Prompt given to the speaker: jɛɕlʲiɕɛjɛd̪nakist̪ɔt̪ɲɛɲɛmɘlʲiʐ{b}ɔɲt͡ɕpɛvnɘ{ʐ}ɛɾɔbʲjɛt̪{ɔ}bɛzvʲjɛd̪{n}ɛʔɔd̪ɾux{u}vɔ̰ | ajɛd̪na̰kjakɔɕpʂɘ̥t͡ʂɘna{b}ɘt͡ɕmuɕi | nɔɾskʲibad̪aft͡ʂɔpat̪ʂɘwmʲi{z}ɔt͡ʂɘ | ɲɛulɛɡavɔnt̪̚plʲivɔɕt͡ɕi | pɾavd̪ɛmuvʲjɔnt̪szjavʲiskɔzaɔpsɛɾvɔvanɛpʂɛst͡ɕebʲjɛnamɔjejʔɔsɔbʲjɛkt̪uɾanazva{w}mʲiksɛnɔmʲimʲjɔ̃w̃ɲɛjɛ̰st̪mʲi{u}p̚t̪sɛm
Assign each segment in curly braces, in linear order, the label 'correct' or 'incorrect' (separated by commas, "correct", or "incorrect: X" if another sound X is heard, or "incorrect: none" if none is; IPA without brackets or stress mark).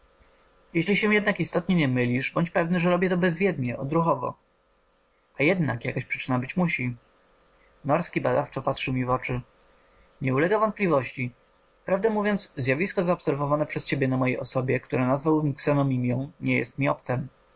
correct, correct, correct, incorrect: ɲ, incorrect: ɔ, correct, incorrect: v, correct, incorrect: ɔ